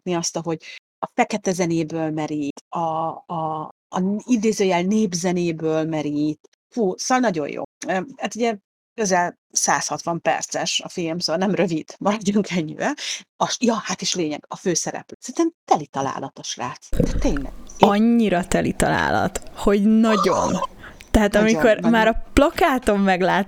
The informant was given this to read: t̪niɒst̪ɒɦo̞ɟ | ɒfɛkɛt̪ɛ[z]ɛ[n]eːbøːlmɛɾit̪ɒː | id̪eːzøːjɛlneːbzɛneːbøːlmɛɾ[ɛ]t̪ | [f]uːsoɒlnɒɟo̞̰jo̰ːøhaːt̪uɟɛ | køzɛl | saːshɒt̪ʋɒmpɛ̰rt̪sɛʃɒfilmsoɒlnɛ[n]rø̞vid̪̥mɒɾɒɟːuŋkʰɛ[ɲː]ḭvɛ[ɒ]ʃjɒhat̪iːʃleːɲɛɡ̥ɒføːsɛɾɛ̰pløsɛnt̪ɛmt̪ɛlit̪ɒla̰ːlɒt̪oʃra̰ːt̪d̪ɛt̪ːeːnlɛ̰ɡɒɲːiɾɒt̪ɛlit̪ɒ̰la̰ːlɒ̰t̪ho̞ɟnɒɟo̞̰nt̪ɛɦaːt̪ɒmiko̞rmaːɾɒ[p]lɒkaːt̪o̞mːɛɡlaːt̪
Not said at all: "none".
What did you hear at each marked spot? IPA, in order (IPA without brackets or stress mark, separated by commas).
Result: z, n, i, f, m, ɲː, ɒ, p